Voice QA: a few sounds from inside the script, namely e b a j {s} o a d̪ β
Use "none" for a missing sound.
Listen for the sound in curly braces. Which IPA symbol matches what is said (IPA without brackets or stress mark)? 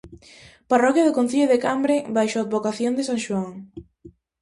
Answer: ʃ